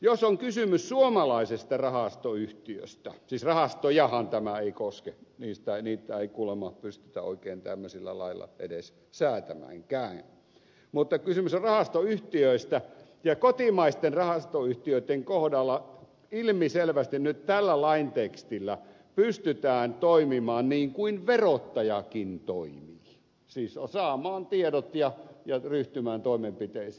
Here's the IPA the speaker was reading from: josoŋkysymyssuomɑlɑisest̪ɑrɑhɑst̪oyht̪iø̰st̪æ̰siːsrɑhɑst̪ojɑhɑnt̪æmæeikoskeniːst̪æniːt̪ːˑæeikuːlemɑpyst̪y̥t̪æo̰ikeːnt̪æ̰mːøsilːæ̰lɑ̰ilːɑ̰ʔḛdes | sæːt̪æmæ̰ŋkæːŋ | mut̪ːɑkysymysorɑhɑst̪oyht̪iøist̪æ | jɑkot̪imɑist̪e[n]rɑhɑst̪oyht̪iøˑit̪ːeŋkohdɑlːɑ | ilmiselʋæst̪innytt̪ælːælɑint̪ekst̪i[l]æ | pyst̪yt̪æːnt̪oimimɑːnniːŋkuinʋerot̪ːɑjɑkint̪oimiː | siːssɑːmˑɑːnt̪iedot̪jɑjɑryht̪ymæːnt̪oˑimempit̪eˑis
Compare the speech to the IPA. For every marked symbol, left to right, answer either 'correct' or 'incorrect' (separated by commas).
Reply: correct, incorrect